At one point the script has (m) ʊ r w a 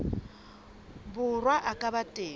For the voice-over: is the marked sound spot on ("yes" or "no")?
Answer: no